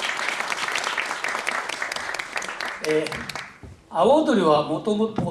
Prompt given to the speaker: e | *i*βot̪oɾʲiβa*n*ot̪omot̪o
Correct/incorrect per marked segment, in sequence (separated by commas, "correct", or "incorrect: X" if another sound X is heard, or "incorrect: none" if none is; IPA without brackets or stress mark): incorrect: a, incorrect: m